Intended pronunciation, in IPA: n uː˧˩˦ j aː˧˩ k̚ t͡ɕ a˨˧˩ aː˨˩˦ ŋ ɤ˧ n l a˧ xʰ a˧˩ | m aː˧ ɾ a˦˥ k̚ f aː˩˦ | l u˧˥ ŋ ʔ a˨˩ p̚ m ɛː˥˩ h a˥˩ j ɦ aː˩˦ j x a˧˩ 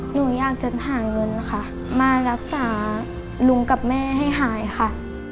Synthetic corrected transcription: n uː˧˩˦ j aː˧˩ k̚ t͡ɕ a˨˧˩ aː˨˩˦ ŋ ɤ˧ n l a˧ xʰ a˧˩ | m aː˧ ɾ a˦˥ k̚ s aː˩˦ | l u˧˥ ŋ k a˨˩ p̚ m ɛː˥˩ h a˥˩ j ɦ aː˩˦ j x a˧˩

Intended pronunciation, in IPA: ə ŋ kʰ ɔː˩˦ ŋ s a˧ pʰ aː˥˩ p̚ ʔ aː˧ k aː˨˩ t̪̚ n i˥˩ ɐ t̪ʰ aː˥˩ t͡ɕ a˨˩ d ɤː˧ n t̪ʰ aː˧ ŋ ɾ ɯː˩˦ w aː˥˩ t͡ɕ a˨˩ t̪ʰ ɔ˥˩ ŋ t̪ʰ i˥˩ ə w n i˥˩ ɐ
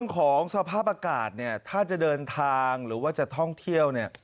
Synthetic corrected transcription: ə ŋ kʰ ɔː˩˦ ŋ s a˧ pʰ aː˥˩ p̚ ʔ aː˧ k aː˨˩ t̪̚ n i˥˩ ɐ t̪ʰ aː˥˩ t͡ɕ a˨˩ d ɤː˧ n t̪ʰ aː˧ ŋ ɾ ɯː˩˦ w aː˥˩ t͡ɕ a˨˩ t̪ʰ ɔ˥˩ ŋ t̪ʰ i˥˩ ə w n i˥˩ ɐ

